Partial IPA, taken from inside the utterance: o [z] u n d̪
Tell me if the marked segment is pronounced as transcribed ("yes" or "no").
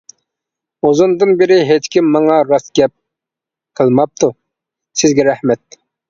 yes